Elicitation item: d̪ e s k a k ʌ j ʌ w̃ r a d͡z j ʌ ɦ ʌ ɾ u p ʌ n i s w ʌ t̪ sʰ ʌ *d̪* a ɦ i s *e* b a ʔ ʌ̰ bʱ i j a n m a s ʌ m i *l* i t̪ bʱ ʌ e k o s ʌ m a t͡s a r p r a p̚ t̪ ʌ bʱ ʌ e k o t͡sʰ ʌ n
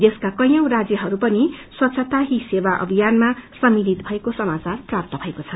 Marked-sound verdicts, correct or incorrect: incorrect, correct, correct

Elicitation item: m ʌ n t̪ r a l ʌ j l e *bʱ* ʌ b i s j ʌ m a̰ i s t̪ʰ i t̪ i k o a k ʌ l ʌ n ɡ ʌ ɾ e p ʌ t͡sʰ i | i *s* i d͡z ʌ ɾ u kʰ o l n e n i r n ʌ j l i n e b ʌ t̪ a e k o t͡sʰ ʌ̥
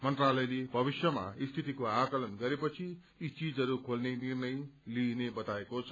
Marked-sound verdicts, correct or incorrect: correct, incorrect

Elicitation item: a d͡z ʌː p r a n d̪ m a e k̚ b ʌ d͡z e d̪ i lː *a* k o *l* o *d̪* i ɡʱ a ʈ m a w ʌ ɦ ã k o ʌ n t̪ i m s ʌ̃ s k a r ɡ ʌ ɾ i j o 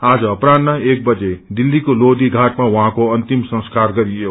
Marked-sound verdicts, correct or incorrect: incorrect, correct, correct

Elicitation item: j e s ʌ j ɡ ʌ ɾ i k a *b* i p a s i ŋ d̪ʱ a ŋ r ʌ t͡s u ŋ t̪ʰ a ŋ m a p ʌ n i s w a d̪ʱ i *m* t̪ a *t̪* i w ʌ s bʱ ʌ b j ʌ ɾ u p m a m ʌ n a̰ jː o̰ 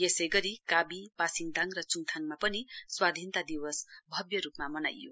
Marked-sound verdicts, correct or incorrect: correct, incorrect, incorrect

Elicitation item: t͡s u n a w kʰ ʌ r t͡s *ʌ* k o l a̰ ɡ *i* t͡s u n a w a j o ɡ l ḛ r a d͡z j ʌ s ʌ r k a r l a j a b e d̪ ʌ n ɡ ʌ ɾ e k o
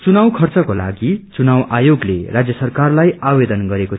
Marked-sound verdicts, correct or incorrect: correct, correct

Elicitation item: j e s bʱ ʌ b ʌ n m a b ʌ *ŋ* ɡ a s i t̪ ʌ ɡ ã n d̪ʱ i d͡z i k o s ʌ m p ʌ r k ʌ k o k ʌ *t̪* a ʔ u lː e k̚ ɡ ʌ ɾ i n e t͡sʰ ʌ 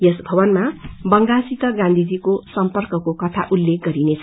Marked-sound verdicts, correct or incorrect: correct, incorrect

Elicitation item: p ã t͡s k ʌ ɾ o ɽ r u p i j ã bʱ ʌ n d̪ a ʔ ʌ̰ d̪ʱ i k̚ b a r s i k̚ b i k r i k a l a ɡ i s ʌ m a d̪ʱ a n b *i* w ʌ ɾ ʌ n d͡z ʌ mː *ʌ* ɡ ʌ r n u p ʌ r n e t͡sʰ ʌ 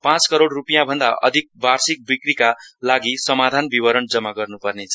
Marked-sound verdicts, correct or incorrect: correct, incorrect

